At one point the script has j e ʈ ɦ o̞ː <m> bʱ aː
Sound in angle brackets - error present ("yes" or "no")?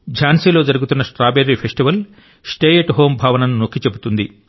no